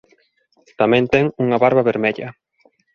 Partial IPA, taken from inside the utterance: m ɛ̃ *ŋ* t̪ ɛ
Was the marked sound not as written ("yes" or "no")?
yes